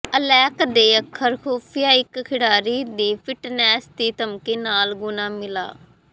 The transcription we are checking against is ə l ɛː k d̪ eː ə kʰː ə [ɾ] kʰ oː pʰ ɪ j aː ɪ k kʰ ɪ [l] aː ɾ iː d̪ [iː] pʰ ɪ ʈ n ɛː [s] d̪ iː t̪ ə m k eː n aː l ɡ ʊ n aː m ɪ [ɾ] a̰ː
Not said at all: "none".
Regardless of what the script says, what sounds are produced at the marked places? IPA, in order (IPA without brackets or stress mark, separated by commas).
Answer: ɾ, ɽ, iː, s, l